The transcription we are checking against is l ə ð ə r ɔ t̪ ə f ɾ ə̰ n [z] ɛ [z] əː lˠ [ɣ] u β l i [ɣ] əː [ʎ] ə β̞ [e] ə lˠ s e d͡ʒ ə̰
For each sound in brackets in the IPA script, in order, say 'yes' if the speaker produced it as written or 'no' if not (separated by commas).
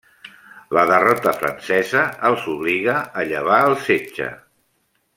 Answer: no, yes, no, yes, yes, no